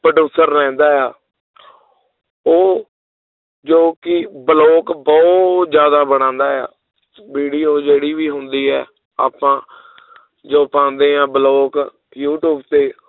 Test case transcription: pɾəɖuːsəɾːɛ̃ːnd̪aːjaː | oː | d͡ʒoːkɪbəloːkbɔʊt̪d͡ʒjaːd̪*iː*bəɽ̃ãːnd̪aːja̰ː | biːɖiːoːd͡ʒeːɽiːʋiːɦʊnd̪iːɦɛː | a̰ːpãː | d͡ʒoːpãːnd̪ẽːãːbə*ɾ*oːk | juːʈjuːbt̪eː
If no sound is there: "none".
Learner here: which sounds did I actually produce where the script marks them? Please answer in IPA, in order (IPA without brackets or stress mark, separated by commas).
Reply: aː, l